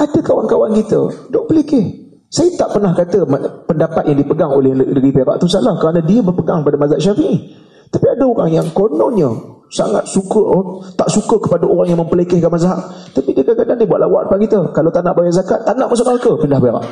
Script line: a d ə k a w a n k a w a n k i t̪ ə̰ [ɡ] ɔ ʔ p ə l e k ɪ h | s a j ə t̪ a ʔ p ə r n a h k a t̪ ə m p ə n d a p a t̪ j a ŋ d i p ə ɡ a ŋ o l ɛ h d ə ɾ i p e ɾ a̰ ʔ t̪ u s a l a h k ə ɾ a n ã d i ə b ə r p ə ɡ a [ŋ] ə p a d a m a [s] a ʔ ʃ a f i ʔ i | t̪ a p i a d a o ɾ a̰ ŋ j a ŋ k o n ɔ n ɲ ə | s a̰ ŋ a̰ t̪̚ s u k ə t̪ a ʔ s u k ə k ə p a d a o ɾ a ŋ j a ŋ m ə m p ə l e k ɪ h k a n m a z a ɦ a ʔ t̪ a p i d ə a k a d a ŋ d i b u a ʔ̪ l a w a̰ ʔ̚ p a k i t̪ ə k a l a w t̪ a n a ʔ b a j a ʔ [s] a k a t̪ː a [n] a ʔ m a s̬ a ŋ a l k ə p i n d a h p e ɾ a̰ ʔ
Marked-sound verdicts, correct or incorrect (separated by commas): incorrect, correct, incorrect, incorrect, correct